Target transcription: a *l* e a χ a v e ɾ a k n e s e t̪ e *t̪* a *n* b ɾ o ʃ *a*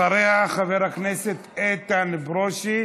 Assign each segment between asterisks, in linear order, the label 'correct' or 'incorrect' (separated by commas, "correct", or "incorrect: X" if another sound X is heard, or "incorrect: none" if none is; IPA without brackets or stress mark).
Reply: incorrect: ɾ, correct, correct, incorrect: i